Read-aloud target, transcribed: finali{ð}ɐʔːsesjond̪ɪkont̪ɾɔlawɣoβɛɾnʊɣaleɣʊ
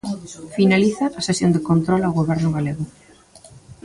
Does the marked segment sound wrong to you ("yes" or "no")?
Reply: yes